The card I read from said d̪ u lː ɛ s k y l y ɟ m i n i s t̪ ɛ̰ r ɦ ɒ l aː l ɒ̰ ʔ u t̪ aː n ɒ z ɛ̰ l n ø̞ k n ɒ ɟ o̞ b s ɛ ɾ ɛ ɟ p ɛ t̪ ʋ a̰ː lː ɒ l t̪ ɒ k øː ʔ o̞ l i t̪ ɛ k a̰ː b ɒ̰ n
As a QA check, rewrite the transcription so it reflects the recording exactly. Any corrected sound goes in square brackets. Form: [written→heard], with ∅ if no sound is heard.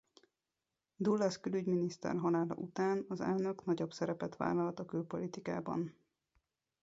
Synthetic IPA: d̪ u lː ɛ s k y l y ɟ m i n i s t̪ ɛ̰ r ɦ ɒ l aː l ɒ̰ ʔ u t̪ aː n ɒ z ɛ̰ l n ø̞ k n ɒ ɟ o̞ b s ɛ ɾ ɛ [ɟ→∅] p ɛ t̪ ʋ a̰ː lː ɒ l t̪ ɒ k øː [ʔ→p] o̞ l i t̪ [ɛ→i] k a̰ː b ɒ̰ n